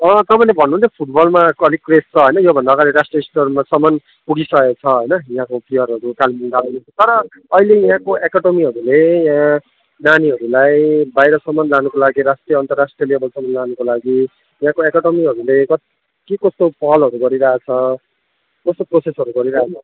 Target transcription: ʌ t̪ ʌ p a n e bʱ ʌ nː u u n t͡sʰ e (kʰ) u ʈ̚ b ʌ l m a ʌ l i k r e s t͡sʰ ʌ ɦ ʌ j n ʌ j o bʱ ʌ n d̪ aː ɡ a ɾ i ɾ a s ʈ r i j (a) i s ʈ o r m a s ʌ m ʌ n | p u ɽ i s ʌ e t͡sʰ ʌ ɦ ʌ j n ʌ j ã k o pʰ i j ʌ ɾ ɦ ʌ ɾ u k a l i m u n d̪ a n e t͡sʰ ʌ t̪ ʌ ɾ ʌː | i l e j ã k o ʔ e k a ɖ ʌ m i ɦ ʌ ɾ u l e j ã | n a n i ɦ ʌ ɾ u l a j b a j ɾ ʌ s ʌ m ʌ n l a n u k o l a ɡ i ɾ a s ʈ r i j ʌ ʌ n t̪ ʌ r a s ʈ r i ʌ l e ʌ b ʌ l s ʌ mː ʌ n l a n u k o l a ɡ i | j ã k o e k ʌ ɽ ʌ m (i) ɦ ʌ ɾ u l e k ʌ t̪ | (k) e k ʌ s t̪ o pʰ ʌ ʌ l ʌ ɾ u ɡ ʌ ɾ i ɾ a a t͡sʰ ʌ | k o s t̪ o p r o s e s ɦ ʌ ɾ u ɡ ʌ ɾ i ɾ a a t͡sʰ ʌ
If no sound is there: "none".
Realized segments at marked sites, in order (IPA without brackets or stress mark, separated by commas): pʰ, ʌ, i, k